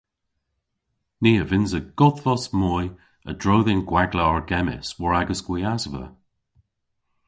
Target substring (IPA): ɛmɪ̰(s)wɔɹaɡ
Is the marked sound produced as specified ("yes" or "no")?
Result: yes